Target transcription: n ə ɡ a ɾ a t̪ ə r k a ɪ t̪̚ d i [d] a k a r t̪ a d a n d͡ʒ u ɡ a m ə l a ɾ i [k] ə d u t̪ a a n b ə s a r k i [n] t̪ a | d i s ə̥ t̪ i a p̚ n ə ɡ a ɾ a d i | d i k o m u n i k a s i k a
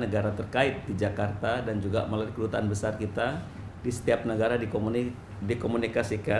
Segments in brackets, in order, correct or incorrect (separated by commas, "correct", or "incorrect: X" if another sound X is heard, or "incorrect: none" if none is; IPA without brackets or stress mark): incorrect: d͡ʒ, correct, incorrect: none